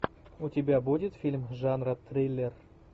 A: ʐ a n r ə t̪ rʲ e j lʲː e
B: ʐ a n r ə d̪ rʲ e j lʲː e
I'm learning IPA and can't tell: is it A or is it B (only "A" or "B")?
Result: A